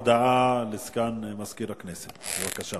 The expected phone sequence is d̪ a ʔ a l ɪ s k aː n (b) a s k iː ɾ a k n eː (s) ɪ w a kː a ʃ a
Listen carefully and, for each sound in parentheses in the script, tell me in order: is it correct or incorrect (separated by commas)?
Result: incorrect, correct